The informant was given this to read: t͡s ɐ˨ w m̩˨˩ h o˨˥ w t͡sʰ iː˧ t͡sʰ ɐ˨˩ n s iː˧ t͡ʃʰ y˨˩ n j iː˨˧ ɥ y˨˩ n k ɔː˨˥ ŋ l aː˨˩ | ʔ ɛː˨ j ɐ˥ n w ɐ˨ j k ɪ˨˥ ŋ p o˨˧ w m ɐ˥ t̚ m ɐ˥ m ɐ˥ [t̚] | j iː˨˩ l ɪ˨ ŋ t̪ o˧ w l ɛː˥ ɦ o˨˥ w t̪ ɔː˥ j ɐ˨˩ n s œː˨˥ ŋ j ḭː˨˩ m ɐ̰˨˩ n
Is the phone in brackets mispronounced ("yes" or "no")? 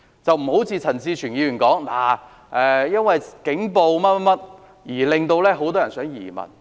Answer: no